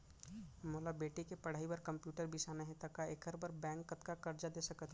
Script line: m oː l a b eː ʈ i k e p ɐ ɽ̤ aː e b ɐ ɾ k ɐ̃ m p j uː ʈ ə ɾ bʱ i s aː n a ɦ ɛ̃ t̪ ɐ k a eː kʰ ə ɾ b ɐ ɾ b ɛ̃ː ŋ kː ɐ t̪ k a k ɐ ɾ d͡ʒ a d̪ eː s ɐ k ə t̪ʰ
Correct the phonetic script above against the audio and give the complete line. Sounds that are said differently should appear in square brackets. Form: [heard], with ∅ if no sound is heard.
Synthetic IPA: m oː l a b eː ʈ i k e p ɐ ɽ̤ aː [i] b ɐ ɾ k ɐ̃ m p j uː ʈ ə ɾ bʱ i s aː n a ɦ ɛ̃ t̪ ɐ k a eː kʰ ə ɾ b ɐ ɾ b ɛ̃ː ŋ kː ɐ t̪ k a k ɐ ɾ d͡ʒ a d̪ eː s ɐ k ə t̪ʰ